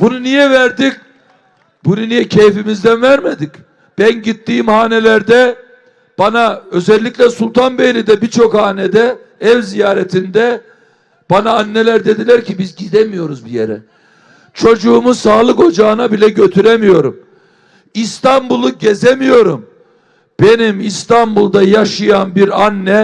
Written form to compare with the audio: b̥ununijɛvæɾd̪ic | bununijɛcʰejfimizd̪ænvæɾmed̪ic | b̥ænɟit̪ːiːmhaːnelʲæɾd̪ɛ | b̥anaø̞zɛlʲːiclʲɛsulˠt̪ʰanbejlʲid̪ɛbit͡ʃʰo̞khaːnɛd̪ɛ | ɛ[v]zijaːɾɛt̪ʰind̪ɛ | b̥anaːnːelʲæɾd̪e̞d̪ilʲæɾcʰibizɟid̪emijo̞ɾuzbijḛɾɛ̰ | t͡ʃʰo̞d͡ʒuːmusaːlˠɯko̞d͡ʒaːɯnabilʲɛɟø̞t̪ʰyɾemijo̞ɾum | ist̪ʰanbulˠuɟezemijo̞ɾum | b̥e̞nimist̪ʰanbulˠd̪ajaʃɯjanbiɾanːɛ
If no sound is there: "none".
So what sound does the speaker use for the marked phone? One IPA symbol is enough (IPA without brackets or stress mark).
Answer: v